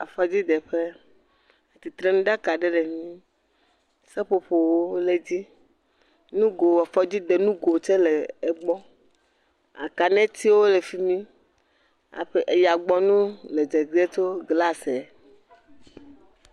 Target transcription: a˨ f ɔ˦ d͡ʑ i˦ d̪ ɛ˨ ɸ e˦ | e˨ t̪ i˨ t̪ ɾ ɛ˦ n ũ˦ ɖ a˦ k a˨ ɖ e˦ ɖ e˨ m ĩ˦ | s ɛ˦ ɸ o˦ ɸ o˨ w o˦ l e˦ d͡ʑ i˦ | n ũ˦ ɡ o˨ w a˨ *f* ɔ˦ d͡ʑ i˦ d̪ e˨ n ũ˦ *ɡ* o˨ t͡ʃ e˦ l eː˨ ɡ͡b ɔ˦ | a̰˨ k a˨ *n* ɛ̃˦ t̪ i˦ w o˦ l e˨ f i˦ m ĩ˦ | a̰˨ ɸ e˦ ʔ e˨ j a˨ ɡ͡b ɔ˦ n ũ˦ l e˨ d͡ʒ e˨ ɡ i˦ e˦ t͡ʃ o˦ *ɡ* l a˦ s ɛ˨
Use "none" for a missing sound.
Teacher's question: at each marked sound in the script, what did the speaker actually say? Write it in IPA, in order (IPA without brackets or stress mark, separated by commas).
f, ɡ, n, ɡ